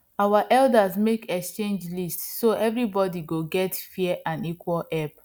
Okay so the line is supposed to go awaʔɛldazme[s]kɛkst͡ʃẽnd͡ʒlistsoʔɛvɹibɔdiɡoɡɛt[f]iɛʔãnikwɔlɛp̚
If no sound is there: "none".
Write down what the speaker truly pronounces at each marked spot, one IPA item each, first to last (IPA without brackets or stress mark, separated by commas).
none, f